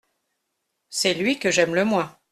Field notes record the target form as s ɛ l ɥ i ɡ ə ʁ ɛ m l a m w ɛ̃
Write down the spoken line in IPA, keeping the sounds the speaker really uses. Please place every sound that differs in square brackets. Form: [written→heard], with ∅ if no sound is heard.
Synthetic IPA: s ɛ l ɥ i [ɡ→k] ə [ʁ→ʒ] ɛ m l [a→ə] m w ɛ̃